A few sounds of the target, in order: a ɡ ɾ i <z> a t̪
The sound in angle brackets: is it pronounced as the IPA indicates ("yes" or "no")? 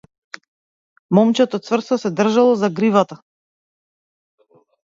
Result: no